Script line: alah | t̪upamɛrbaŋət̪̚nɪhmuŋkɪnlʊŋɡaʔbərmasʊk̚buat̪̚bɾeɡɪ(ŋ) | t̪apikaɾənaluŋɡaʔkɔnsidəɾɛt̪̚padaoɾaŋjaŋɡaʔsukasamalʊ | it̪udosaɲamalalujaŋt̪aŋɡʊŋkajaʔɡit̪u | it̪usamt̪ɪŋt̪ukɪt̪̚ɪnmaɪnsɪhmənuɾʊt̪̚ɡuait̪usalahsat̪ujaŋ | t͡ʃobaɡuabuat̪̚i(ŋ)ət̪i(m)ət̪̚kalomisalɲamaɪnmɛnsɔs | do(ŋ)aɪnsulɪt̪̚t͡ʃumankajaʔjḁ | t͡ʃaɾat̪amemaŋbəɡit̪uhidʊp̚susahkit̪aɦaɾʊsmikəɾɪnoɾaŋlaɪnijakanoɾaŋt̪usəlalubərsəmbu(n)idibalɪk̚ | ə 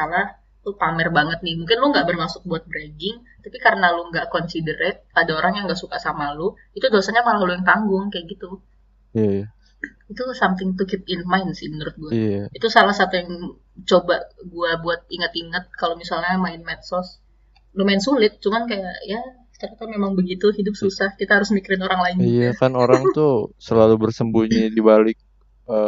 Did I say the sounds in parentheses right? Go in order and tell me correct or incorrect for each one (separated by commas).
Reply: correct, correct, incorrect, incorrect, incorrect